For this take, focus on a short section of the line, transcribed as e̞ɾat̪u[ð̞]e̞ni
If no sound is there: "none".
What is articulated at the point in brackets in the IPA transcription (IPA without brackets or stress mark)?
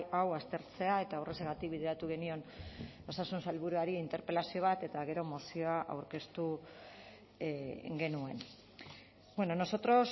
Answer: ɣ̞